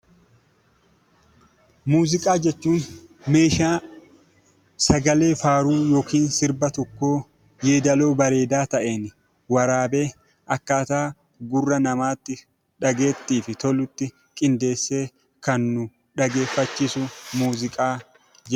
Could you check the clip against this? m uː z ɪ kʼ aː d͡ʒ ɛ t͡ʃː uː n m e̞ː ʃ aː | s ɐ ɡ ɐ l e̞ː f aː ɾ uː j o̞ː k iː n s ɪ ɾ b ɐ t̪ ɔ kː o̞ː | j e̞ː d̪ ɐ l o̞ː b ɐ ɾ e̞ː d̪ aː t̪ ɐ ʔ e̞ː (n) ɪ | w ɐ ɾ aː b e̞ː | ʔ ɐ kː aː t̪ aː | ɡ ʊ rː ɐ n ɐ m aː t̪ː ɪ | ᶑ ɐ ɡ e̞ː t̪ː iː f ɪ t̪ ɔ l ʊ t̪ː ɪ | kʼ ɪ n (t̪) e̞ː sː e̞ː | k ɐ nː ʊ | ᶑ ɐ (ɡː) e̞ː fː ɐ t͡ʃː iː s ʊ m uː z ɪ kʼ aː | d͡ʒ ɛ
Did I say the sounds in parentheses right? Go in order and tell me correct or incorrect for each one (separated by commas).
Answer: correct, incorrect, incorrect